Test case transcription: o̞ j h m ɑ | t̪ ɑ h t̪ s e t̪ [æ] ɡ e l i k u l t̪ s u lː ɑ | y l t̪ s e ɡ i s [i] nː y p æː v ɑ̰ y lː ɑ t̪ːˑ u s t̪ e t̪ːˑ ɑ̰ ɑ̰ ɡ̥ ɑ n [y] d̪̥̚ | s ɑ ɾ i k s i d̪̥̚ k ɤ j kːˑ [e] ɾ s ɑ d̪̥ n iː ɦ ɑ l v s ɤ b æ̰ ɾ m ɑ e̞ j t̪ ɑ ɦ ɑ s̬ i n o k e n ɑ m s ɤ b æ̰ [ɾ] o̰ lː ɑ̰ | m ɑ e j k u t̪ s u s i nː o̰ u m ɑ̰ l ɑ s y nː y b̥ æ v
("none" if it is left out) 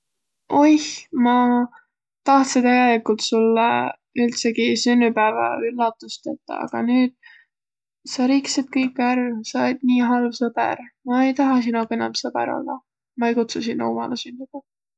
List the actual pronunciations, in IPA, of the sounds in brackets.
æ, y, yː, æ, ɾ

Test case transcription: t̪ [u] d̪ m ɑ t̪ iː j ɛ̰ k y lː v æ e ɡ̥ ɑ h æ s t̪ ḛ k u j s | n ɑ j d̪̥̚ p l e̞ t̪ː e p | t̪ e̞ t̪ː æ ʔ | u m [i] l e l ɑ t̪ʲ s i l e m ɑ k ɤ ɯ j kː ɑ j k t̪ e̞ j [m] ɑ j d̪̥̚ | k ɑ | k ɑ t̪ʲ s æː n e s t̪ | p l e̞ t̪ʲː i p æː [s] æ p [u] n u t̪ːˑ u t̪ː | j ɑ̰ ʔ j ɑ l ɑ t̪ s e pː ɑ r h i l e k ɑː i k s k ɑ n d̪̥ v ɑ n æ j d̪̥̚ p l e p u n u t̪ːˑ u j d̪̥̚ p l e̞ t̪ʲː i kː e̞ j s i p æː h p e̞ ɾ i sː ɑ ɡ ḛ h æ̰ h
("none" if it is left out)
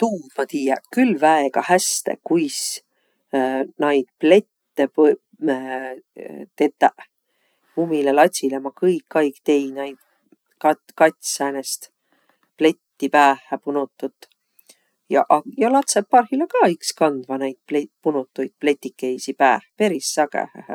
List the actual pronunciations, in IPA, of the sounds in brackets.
uː, i, n, h, u

